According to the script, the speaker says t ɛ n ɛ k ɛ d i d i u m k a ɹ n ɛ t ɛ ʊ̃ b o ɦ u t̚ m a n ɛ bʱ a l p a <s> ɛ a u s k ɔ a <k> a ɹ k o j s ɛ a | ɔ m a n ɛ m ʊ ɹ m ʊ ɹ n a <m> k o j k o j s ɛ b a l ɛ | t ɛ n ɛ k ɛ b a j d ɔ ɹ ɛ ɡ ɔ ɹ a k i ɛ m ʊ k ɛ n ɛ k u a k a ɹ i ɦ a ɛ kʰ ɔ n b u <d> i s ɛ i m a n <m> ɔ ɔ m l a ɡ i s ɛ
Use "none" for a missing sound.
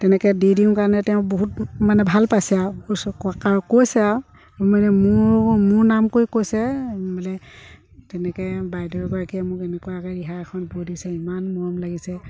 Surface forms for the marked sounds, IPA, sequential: s, k, m, d, m

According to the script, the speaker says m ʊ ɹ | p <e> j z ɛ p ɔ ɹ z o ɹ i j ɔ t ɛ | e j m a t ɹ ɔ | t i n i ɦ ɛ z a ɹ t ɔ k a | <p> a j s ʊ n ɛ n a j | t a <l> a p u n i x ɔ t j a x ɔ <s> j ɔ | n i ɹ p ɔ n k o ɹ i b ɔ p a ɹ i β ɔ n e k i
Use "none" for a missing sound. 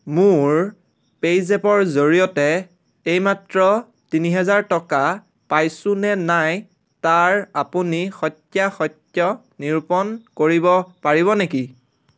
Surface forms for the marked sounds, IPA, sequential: e, p, ɹ, t

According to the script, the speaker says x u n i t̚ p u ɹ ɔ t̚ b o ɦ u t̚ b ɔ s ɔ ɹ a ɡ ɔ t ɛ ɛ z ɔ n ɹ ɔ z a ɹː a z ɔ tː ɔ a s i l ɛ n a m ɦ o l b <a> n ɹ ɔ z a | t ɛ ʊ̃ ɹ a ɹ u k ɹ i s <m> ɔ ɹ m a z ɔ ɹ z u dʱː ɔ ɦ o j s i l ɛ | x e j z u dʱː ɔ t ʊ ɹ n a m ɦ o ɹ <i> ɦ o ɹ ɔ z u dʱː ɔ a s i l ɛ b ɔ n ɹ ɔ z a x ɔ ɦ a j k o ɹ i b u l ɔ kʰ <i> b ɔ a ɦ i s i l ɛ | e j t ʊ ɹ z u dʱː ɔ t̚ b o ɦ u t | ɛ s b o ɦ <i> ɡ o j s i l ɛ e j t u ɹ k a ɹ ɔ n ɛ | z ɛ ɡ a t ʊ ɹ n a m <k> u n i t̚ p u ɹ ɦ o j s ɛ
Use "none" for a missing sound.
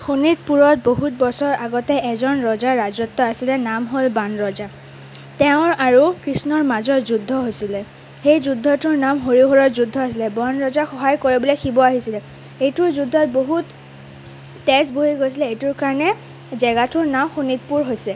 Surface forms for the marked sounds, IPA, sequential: a, n, i, i, i, x

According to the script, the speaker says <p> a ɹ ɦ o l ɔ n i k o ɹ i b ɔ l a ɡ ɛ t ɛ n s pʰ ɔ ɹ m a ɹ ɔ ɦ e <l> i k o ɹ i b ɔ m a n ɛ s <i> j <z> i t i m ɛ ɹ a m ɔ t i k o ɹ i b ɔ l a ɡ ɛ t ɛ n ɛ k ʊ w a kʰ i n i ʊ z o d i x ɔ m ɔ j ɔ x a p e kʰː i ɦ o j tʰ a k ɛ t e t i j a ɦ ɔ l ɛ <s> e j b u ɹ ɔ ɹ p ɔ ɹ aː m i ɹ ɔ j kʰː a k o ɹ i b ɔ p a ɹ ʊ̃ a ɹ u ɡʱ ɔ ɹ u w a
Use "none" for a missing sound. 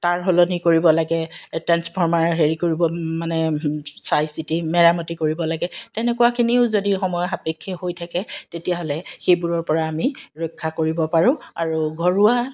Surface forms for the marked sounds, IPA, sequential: t, ɹ, a, s, x

